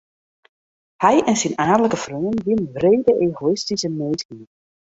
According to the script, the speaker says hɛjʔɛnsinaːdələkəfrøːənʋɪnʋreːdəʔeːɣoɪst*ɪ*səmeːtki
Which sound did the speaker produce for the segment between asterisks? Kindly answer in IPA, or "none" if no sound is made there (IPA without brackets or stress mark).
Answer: i